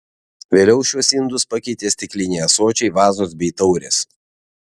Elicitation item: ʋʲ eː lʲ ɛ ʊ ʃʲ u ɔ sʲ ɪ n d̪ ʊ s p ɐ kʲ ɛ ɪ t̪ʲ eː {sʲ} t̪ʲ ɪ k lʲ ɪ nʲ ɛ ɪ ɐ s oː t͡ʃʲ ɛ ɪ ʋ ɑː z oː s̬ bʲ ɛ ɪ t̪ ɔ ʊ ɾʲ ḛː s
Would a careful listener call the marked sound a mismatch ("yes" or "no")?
no